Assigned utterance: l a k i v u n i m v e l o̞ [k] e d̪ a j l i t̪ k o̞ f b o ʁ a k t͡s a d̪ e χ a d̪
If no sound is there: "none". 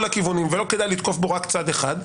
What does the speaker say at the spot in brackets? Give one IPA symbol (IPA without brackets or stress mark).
k